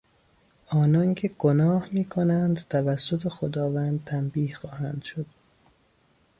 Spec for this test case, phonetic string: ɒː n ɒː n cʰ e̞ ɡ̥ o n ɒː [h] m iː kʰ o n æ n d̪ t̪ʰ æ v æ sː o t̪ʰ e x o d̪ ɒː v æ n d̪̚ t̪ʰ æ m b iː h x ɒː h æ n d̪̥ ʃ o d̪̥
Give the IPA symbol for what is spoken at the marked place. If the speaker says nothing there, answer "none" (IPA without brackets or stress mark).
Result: h